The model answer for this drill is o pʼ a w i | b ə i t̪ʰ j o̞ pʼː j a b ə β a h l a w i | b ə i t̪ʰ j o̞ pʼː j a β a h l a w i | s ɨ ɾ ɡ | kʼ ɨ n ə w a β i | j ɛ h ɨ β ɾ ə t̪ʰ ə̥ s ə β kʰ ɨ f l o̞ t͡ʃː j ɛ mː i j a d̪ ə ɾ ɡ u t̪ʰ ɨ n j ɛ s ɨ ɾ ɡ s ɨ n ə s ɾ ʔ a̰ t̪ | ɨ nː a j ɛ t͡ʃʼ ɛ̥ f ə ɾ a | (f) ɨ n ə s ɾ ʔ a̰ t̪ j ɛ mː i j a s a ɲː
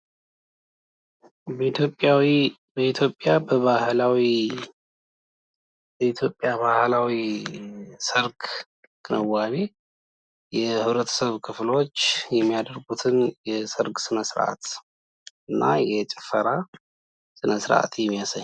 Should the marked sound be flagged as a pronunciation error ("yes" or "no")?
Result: yes